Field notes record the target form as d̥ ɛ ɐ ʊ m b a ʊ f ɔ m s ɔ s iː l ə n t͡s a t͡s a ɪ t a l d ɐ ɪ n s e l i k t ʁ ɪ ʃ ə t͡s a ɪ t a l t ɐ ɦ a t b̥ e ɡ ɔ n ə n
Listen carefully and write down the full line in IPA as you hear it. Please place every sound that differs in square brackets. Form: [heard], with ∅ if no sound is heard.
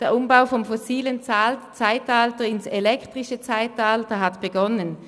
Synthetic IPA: d̥ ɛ ɐ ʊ m b a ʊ f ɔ m [f] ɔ s iː l ə n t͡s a t͡s a ɪ t a l [t] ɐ ɪ n s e l [ɛ] k t ʁ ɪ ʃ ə t͡s a ɪ t a l t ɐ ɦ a t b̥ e ɡ ɔ n ə n